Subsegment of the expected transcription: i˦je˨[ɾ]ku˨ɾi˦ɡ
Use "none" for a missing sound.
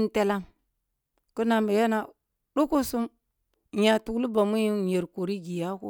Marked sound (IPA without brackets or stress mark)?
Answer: ɾ